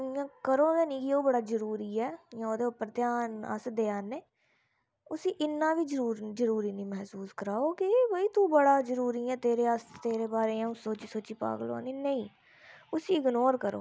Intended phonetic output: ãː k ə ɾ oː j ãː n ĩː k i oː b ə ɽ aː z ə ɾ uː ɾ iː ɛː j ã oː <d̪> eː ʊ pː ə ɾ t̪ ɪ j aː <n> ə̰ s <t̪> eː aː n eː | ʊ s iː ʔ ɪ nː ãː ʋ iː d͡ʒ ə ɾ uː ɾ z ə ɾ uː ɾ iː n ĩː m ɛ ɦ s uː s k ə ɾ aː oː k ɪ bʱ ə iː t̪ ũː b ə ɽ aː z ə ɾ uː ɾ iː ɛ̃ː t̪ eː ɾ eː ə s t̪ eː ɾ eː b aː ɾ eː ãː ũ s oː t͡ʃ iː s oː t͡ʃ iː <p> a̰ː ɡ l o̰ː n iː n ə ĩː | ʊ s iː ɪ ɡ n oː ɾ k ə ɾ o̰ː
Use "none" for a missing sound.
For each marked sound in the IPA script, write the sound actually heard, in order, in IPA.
d̪, n, d̪, p

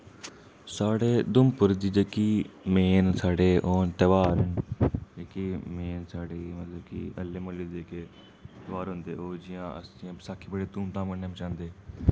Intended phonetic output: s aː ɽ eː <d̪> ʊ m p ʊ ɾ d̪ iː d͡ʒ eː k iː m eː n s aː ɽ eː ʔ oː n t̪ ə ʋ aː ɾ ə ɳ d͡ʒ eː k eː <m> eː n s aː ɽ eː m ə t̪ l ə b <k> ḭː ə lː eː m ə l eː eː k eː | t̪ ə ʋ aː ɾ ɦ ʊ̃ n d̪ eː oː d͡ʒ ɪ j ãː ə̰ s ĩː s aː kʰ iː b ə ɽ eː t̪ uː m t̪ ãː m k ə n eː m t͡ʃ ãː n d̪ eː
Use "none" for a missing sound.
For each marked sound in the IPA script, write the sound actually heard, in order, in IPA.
d̪, m, k

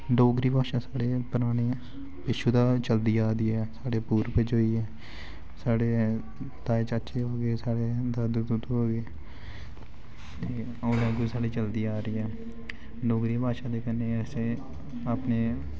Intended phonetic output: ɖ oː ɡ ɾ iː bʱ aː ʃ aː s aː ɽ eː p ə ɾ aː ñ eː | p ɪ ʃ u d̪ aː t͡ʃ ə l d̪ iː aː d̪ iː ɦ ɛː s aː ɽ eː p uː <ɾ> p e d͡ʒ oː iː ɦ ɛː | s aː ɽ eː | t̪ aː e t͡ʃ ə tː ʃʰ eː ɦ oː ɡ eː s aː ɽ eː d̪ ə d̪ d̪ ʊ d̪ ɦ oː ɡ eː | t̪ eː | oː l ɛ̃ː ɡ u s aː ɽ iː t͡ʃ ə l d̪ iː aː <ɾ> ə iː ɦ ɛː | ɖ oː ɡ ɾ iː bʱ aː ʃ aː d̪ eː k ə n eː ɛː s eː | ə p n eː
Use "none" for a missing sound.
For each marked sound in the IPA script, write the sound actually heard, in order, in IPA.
ɾ, ɾ

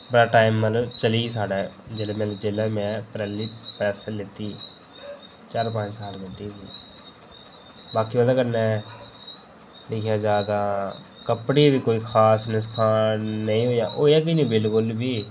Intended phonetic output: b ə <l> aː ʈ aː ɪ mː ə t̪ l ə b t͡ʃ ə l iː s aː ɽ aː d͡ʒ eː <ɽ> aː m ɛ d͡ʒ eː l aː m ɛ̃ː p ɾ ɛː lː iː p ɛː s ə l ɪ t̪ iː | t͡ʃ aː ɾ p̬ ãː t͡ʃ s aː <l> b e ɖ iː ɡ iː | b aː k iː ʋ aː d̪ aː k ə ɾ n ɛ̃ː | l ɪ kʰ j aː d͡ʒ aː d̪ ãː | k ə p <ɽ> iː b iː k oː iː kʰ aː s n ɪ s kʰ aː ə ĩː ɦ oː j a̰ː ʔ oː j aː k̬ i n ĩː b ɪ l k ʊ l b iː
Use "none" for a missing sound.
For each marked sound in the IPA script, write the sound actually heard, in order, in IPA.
ɽ, l, l, ɽ

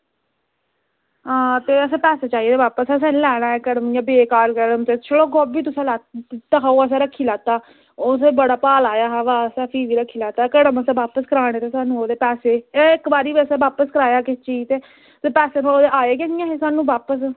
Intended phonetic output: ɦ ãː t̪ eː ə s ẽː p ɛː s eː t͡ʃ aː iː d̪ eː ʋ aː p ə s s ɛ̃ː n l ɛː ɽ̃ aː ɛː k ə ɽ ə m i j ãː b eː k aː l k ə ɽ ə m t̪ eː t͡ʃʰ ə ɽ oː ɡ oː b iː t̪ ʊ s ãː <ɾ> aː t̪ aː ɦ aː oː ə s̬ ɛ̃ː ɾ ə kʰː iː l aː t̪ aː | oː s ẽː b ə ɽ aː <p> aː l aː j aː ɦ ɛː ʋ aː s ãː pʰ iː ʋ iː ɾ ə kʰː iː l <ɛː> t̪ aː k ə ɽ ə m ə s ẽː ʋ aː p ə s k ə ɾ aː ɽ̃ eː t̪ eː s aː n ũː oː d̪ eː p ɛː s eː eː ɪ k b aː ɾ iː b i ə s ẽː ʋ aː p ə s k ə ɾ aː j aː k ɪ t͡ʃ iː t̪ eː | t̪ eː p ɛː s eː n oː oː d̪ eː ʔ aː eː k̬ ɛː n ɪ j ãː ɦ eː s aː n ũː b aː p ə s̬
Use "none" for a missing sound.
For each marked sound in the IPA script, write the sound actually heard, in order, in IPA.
l, p, aː

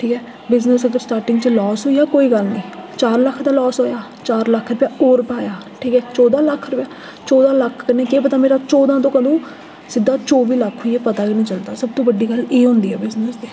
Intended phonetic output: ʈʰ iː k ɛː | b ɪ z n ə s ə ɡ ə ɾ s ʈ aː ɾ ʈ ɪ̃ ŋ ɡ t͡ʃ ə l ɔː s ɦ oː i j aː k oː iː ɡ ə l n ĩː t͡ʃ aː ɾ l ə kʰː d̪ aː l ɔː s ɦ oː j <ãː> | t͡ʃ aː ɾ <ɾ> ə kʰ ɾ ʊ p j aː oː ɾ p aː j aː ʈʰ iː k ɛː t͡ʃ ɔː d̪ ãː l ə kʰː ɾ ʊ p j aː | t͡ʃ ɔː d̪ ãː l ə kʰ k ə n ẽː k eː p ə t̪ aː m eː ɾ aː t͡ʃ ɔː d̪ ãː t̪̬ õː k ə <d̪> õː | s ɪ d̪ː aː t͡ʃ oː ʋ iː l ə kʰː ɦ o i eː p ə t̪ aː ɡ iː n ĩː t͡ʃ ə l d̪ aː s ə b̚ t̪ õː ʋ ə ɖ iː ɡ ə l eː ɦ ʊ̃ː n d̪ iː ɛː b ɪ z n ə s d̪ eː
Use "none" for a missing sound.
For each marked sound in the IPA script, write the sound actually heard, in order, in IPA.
aː, l, d̪

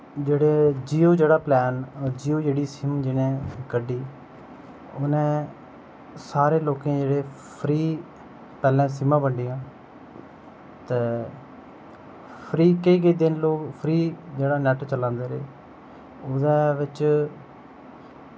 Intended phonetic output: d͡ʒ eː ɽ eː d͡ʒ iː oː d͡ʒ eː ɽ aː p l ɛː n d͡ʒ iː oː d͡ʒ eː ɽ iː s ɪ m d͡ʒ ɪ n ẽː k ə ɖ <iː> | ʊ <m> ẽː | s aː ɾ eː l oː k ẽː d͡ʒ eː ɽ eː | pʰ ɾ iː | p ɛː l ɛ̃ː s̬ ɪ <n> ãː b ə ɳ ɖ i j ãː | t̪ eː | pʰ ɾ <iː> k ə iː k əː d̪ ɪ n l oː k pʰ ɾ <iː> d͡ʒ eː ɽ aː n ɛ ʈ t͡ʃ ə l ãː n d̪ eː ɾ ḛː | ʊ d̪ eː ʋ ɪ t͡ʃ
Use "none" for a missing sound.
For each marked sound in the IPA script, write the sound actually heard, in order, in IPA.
iː, n, m, iː, iː

